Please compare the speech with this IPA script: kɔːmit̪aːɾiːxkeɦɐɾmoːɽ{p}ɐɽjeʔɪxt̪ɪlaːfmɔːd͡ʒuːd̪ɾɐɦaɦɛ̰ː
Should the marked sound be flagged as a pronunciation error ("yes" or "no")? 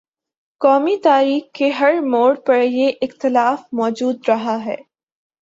no